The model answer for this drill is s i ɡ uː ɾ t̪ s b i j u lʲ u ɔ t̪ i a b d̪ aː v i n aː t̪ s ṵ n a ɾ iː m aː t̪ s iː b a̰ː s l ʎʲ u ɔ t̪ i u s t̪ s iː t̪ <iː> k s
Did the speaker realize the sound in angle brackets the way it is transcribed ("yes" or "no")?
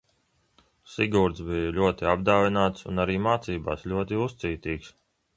yes